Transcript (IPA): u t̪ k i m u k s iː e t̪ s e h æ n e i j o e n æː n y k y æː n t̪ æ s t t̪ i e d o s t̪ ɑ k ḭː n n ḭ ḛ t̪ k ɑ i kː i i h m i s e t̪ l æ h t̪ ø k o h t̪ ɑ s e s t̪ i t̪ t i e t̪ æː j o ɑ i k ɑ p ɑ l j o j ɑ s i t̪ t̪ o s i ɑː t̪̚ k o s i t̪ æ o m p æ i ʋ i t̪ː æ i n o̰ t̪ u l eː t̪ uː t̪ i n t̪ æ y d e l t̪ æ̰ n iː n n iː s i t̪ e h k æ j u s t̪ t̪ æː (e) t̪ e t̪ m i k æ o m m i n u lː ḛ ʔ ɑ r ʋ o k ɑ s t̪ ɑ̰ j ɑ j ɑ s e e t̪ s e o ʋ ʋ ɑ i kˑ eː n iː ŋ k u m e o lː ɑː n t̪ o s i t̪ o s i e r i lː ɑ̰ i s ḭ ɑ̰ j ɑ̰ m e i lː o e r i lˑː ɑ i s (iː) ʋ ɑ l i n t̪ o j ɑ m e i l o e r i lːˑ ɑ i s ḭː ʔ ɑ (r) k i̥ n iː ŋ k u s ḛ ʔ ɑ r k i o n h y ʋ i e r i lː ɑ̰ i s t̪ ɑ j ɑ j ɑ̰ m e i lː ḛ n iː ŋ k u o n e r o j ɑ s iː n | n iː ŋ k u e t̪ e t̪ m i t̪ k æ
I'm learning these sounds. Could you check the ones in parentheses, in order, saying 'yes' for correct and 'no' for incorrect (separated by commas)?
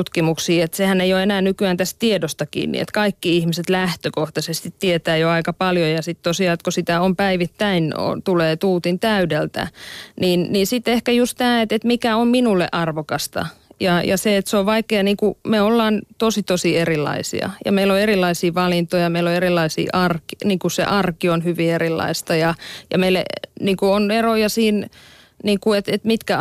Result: yes, yes, yes